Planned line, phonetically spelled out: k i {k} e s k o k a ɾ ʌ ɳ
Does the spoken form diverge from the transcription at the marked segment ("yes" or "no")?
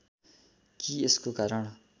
yes